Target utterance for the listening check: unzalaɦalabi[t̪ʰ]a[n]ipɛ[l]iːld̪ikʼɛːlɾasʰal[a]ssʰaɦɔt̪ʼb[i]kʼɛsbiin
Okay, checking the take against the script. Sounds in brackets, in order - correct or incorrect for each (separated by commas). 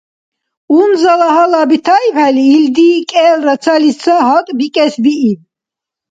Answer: correct, incorrect, correct, incorrect, correct